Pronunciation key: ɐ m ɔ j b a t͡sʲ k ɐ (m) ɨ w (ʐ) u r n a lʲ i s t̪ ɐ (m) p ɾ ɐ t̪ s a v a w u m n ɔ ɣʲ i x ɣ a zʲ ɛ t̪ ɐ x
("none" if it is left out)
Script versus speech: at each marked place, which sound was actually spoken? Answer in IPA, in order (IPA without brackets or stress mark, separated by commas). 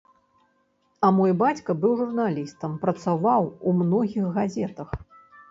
b, ʐ, m